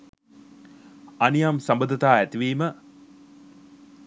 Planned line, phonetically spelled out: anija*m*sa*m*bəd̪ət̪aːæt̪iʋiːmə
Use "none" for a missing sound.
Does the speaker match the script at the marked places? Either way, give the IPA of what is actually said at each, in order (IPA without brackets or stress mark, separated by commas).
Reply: m, m